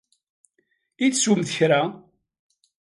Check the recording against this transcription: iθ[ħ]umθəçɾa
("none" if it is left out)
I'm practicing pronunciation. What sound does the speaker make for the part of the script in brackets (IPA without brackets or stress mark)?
s